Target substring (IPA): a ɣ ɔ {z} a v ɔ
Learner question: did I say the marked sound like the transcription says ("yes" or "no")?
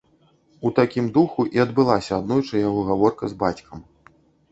no